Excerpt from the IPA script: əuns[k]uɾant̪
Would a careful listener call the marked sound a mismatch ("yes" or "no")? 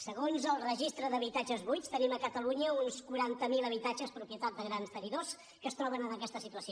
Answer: no